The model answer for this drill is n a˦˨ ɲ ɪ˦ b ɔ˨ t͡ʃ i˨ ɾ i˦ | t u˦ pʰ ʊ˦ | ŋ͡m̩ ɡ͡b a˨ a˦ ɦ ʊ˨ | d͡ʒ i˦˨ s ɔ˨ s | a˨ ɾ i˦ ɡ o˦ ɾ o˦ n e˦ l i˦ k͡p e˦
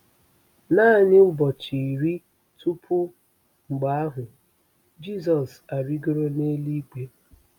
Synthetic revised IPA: n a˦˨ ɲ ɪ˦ b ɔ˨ t͡ʃ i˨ ɾ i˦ | t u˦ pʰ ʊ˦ | ŋ͡m̩ ɡ͡b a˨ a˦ ɦ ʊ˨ | d͡ʒ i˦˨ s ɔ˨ s | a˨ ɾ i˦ ɡ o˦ ɾ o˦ n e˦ l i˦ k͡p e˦

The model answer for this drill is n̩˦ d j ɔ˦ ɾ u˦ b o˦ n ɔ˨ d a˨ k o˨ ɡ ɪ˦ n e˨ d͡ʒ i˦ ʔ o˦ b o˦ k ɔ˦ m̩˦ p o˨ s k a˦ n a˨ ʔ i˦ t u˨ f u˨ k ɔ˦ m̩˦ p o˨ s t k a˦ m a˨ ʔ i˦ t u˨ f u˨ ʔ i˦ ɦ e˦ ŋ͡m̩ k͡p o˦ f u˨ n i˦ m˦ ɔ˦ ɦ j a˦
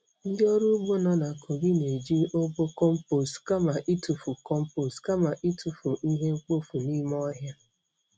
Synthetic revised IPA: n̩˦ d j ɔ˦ ɾ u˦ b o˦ n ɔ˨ n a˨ k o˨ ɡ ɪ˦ n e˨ d͡ʒ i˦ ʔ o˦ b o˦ k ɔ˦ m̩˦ p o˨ s k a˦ m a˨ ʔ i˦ t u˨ f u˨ k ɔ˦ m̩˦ p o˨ s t k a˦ m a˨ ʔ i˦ t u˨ f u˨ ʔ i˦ ɦ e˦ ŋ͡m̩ k͡p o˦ f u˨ n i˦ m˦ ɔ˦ ɦ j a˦

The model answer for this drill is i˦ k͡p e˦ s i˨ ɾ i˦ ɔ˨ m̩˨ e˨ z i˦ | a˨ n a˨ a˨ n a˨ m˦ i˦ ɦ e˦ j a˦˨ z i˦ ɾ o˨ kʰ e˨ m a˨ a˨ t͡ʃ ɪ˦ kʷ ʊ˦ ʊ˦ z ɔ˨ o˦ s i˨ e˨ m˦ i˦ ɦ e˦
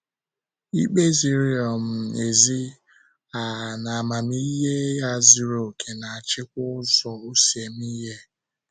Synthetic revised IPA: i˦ k͡p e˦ z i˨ ɾ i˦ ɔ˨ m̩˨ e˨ z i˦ | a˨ n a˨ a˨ m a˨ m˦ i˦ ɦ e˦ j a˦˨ z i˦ ɾ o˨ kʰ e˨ n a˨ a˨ t͡ʃ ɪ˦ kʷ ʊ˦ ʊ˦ z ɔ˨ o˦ s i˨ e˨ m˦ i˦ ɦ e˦

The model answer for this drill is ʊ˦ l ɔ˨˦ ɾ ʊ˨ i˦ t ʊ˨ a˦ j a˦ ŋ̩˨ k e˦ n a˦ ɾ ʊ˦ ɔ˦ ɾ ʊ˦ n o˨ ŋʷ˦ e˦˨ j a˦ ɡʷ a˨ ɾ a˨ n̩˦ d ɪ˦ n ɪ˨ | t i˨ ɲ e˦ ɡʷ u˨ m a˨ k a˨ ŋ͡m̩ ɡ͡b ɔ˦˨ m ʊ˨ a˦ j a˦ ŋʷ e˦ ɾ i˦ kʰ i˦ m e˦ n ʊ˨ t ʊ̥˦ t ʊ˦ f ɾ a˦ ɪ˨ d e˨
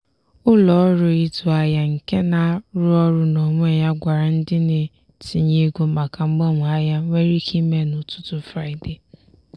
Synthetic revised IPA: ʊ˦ l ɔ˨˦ ɾ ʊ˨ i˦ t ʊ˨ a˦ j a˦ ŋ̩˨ k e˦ n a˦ ɾ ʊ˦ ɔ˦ ɾ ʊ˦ n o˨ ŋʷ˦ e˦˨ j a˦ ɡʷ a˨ ɾ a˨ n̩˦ d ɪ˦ n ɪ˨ | t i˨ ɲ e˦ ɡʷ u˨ m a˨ k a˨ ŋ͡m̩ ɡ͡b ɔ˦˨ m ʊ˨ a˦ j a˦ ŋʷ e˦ ɾ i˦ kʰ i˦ m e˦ n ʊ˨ t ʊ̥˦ t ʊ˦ f ɾ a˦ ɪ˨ d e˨

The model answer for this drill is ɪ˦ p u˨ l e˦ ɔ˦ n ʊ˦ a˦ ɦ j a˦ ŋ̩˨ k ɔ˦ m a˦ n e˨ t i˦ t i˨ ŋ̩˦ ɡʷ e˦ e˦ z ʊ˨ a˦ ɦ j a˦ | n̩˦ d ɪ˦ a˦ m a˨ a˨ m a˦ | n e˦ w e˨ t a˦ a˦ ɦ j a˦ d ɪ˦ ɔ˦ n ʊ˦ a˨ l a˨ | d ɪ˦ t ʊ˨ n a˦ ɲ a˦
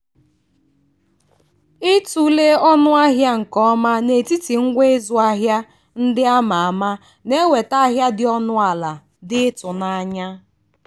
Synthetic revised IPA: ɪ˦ t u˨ l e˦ ɔ˦ n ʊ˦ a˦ ɦ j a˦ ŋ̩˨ k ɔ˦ m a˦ n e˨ t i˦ t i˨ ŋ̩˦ ɡʷ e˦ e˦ z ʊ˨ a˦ ɦ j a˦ | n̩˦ d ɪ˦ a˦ m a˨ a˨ m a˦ | n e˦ w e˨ t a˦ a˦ ɦ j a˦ d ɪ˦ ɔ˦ n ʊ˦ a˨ l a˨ | d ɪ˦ t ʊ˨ n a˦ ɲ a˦

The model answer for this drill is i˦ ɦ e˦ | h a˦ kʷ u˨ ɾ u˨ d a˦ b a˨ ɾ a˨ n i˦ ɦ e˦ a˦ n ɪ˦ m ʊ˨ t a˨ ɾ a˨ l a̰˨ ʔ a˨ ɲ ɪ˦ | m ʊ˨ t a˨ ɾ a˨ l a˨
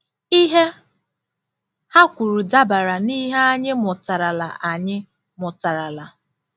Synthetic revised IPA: i˦ ɦ e˦ | h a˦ kʷ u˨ ɾ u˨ d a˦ b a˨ ɾ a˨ n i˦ ɦ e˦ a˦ ɲ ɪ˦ m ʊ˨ t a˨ ɾ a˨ l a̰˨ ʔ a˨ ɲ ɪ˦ | m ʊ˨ t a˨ ɾ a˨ l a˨

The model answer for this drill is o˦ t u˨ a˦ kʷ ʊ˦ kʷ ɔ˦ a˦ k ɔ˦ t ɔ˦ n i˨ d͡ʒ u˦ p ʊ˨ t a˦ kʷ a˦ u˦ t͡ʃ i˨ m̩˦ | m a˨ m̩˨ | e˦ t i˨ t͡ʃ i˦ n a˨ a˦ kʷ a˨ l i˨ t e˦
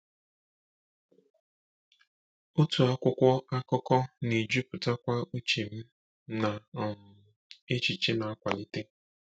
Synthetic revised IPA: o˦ t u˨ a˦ kʷ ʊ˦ kʷ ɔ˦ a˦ k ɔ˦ k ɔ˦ n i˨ d͡ʒ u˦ p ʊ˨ t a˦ kʷ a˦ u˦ t͡ʃ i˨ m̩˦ | n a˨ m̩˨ | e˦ t͡ʃ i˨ t͡ʃ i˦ n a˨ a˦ kʷ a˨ l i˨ t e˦

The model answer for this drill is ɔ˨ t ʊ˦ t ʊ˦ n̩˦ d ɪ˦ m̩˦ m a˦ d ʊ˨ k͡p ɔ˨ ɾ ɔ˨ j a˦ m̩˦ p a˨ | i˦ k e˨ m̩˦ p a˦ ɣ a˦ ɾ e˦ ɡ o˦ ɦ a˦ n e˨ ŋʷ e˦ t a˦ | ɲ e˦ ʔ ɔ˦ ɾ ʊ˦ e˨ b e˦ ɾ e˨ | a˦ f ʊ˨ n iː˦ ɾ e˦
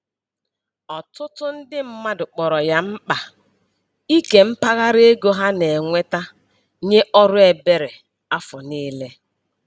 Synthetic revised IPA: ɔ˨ t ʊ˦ t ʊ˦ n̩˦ d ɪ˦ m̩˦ m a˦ d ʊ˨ k͡p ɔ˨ ɾ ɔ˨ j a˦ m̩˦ k͡p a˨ | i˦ k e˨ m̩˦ p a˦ ɣ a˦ ɾ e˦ ɡ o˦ ɦ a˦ n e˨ ŋʷ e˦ t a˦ | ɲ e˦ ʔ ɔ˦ ɾ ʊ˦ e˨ b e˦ ɾ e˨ | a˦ f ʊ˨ n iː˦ l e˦

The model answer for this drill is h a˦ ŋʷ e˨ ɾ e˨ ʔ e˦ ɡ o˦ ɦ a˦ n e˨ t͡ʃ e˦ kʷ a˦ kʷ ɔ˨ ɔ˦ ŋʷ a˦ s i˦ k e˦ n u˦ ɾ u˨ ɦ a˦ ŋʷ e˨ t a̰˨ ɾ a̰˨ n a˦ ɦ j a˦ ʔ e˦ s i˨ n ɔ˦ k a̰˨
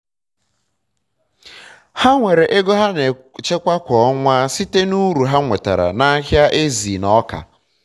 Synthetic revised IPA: h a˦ ŋʷ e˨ ɾ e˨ ʔ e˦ ɡ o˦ ɦ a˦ n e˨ t͡ʃ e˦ kʷ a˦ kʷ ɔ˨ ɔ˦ ŋʷ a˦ s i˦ t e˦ n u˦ ɾ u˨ ɦ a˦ ŋʷ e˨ t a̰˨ ɾ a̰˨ n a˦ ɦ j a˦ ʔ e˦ z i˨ n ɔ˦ k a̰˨

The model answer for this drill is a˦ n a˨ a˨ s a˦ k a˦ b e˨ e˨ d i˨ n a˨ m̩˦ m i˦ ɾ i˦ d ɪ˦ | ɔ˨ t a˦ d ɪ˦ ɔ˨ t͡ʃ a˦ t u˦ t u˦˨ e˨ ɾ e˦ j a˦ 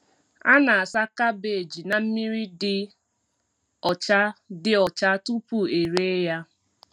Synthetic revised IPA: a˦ n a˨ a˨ s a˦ k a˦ b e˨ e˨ d͡ʒ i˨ n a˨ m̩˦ m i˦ ɾ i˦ d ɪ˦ | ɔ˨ t͡ʃ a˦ d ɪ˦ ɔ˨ t͡ʃ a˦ t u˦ p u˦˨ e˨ ɾ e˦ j a˦

